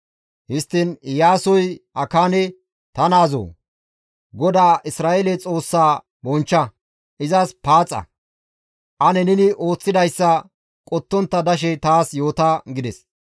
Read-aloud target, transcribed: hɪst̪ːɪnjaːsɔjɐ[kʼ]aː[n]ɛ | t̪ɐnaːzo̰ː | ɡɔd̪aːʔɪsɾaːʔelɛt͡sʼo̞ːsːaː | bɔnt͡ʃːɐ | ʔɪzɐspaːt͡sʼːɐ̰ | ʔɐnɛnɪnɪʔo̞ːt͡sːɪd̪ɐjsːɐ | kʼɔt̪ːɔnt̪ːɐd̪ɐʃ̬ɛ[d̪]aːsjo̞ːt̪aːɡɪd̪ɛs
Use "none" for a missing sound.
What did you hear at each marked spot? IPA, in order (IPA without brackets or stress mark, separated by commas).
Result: k, n, t̪